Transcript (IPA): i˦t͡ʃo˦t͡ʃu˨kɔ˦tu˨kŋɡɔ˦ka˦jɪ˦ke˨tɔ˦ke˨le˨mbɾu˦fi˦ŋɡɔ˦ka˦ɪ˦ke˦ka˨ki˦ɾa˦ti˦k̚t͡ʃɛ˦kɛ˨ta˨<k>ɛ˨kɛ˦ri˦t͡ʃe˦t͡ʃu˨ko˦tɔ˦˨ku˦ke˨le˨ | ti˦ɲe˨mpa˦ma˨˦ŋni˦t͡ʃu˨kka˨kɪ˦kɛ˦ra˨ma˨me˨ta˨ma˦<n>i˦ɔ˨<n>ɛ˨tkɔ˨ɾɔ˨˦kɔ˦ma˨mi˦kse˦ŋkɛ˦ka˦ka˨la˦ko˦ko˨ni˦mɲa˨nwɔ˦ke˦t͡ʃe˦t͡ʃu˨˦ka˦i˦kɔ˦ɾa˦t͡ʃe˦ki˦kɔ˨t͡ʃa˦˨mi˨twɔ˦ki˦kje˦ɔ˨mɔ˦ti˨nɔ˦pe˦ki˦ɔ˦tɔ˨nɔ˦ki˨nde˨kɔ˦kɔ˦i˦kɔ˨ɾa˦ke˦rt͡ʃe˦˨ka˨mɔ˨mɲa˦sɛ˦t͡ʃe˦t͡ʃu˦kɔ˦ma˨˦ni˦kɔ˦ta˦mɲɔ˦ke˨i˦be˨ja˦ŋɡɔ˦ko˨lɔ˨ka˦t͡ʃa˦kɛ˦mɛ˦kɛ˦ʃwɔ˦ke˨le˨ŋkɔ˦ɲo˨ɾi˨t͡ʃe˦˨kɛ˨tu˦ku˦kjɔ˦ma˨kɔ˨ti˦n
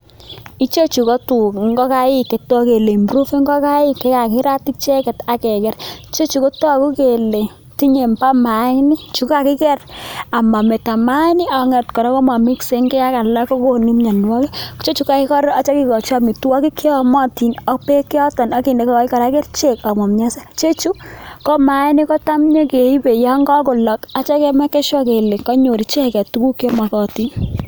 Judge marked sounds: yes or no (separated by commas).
yes, yes, no